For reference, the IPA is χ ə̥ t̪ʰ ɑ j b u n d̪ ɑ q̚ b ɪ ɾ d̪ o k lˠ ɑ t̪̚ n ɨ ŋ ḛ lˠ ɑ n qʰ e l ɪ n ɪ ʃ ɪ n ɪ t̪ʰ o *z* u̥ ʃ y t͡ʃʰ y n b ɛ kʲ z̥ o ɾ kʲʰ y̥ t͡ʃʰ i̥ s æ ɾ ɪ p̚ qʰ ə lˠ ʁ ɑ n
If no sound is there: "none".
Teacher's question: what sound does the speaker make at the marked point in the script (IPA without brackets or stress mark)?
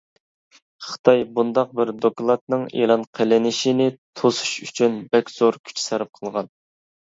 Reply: s